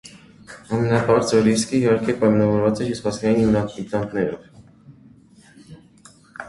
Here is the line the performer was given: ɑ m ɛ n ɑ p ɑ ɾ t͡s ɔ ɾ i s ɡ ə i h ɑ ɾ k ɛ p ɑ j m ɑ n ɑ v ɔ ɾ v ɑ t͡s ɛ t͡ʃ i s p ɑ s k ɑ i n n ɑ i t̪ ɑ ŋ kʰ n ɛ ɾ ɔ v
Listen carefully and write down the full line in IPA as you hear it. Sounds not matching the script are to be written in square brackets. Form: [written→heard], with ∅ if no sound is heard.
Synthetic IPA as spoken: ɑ m ɛ n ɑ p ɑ ɾ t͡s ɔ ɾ i s [ɡ→k] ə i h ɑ ɾ k ɛ p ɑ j m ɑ n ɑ v ɔ ɾ v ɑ t͡s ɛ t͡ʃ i s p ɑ s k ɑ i n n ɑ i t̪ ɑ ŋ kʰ n ɛ ɾ ɔ v